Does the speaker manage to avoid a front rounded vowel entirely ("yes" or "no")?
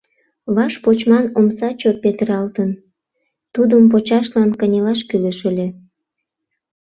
no